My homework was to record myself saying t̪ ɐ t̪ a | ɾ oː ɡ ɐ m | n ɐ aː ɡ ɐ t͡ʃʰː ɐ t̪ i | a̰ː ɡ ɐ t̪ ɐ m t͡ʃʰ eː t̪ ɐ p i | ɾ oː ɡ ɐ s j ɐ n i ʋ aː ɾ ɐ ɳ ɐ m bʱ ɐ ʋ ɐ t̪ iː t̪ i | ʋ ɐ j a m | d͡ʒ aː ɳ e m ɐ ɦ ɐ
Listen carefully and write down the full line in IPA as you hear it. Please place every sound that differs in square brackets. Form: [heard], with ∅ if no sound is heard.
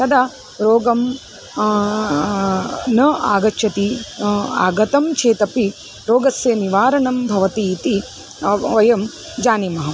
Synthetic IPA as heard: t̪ ɐ [d̪] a | ɾ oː ɡ ɐ m | n ɐ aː ɡ ɐ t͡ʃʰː ɐ t̪ i | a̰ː ɡ ɐ t̪ ɐ m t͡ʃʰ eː t̪ ɐ p i | ɾ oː ɡ ɐ s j ɐ n i ʋ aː ɾ ɐ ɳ ɐ m bʱ ɐ ʋ ɐ t̪ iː t̪ i | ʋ ɐ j [ɐ] m | d͡ʒ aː [n] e m ɐ ɦ ɐ